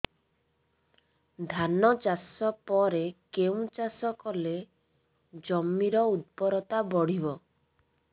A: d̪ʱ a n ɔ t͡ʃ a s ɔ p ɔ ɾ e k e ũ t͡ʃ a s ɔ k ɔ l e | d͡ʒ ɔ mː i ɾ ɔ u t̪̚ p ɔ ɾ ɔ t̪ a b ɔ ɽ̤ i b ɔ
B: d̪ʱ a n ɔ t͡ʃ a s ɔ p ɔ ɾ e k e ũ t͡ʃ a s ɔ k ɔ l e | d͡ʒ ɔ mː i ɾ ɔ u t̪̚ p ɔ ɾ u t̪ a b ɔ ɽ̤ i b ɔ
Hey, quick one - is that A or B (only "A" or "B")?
A